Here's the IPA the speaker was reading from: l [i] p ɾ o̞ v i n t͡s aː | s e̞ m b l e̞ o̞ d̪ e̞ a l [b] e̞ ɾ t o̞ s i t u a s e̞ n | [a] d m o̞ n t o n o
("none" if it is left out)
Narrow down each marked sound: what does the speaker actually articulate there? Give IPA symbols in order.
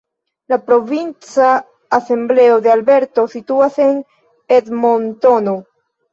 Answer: a, b, e

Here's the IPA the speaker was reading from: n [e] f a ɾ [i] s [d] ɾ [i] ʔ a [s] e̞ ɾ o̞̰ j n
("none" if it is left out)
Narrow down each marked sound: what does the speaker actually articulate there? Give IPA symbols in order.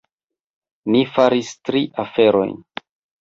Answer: i, i, t, i, f

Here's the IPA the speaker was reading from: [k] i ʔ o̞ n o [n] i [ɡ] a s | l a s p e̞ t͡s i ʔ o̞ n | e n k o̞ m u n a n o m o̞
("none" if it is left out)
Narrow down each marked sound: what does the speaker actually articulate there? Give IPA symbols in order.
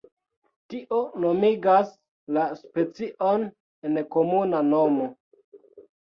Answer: t, m, ɡ

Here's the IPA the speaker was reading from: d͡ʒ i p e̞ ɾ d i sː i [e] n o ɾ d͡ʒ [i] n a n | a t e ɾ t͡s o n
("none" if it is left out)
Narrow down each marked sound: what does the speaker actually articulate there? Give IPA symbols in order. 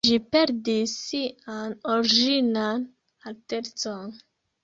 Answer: a, i

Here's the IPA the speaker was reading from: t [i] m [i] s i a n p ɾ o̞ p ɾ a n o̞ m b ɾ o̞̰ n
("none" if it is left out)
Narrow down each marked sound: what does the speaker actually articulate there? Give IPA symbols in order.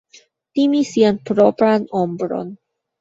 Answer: i, i

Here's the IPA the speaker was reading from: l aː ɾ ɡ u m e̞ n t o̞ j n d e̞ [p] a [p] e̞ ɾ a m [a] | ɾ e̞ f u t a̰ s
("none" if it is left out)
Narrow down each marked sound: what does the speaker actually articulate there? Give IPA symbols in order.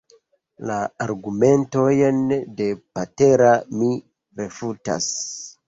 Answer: p, t, i

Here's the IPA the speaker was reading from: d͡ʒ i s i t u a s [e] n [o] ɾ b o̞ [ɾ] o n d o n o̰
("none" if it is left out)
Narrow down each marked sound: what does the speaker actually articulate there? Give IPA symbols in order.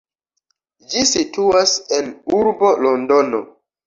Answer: e, u, l

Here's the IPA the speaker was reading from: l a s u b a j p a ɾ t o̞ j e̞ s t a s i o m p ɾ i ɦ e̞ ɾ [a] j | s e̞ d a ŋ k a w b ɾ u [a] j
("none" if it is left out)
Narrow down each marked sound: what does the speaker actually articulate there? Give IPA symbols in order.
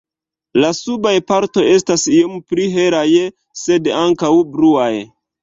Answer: a, a

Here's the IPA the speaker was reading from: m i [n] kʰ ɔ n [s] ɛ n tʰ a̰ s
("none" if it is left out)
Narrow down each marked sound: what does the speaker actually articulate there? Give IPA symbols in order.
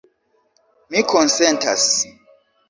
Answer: none, s

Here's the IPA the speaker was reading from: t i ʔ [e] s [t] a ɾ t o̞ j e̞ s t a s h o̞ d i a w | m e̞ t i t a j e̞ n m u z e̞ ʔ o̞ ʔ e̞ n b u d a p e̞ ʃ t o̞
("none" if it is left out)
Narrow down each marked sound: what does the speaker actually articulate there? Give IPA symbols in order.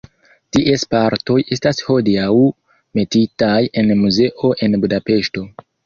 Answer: e, p

